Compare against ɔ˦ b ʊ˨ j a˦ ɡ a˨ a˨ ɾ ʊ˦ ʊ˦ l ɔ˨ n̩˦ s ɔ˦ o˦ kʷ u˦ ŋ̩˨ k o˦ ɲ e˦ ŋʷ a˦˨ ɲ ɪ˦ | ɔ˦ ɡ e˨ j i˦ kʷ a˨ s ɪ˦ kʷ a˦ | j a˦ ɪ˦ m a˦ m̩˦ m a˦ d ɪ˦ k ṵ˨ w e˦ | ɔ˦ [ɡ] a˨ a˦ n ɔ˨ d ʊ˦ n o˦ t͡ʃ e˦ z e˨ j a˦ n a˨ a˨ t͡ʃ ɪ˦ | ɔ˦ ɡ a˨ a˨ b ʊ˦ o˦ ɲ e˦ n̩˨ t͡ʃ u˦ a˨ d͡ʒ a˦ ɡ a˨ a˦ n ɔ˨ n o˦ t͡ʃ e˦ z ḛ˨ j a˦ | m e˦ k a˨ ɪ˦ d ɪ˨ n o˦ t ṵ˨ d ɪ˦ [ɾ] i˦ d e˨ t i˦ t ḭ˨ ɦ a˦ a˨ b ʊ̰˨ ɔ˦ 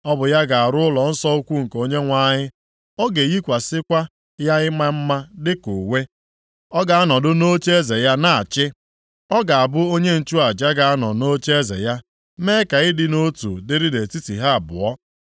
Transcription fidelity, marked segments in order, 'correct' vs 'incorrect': correct, correct

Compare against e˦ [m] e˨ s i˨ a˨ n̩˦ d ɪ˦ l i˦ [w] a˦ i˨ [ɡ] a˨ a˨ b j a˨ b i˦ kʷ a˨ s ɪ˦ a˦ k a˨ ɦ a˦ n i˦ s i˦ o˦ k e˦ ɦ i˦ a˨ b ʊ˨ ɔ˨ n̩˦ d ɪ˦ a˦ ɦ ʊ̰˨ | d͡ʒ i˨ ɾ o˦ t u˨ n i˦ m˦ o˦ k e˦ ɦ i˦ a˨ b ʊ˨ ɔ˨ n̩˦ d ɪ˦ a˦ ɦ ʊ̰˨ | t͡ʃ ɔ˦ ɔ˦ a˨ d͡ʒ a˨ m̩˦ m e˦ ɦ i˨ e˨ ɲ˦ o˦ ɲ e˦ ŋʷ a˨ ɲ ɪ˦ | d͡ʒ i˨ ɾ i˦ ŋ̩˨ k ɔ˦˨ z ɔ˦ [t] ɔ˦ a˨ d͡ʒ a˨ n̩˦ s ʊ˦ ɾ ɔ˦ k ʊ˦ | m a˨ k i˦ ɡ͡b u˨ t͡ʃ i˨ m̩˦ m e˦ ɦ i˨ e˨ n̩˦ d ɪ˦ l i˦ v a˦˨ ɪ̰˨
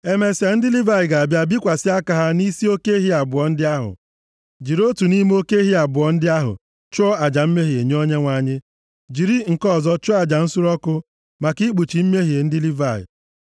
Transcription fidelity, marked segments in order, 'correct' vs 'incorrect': correct, incorrect, correct, incorrect

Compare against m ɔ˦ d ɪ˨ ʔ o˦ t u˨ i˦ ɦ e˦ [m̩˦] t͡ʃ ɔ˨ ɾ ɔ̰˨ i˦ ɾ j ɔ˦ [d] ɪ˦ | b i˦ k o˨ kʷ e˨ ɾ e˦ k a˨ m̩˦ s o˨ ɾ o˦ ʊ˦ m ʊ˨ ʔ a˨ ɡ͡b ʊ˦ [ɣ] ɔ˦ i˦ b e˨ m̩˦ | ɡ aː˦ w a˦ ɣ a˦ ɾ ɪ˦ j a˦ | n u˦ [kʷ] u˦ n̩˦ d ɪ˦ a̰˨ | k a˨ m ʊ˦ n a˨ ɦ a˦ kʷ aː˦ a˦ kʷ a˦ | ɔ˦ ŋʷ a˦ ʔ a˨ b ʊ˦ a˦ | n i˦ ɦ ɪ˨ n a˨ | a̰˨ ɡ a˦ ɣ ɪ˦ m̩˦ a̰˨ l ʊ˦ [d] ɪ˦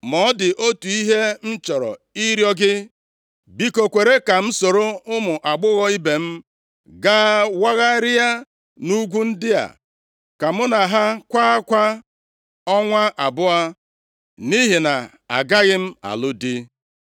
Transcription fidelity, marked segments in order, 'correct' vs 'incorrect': incorrect, incorrect, correct, incorrect, correct

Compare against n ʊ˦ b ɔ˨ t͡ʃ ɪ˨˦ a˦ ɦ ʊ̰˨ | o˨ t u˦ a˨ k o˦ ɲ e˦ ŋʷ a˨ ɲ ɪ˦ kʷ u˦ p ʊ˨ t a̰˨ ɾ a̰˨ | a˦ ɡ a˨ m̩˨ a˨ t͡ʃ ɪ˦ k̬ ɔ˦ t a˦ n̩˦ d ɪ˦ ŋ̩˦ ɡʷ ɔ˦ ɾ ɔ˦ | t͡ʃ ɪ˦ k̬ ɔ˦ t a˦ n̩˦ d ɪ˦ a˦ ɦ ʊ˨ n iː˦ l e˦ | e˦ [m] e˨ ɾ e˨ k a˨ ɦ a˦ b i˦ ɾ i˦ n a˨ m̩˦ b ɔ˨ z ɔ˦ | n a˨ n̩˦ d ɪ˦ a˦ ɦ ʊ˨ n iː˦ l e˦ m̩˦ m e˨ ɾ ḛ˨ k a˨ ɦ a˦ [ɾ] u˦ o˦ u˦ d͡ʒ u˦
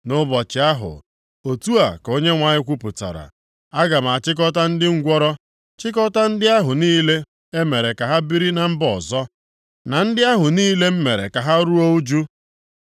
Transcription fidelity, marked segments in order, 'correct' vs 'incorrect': correct, correct

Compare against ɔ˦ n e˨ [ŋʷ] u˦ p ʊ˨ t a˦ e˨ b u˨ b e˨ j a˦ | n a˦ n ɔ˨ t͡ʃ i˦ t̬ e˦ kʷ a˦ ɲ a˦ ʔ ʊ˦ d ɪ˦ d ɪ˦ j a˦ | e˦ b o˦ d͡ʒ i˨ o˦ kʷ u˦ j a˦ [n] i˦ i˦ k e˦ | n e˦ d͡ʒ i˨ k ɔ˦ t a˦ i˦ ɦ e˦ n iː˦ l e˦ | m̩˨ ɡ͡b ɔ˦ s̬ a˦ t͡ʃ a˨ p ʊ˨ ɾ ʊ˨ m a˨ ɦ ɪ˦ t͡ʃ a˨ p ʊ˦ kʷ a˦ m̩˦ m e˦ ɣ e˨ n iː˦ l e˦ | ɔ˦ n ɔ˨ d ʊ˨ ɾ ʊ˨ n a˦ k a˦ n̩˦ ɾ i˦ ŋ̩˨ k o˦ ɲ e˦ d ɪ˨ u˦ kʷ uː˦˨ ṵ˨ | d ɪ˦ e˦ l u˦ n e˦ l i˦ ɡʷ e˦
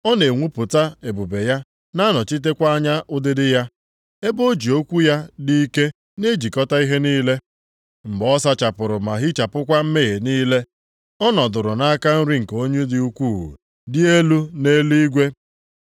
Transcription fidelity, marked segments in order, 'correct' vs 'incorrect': correct, incorrect

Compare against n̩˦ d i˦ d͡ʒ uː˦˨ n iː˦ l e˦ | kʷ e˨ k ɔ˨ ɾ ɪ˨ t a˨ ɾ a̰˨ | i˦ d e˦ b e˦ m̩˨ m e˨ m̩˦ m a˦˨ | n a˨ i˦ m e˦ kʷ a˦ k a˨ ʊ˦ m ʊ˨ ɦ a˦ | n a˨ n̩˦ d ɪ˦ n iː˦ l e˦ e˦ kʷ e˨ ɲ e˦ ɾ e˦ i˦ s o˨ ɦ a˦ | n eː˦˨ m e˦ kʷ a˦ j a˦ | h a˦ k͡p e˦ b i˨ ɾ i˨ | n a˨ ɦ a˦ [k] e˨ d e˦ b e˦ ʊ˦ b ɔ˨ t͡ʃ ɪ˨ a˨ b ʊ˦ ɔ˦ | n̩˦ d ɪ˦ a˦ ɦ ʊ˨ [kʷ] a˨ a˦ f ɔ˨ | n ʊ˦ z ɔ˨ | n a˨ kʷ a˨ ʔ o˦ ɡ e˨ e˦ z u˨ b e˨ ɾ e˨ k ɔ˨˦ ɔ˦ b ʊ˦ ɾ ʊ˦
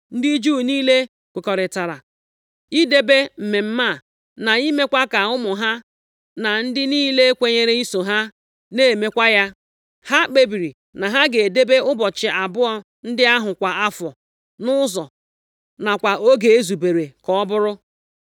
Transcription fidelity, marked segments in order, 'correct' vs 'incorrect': incorrect, correct

